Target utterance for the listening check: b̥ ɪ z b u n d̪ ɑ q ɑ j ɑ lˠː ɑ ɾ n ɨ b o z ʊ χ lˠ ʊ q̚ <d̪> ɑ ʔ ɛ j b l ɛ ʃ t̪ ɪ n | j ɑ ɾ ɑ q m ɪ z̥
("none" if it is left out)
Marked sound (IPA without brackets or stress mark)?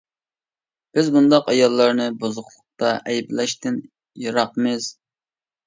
t̪